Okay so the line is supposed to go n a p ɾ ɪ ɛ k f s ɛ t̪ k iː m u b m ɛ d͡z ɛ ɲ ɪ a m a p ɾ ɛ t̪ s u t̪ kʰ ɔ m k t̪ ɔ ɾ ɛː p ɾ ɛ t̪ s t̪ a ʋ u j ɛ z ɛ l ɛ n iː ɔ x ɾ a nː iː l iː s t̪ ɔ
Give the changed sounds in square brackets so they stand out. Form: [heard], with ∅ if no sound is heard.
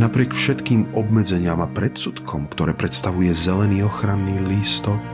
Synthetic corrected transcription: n a p ɾ ɪ ɛ k f [ʃ] ɛ t̪ k iː m [ɔ] b m ɛ d͡z ɛ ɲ ɪ a m a p ɾ ɛ t̪ s u t̪ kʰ ɔ m k t̪ ɔ ɾ ɛː p ɾ ɛ t̪ s t̪ a ʋ u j ɛ z ɛ l ɛ n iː ɔ x ɾ a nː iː l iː s t̪ ɔ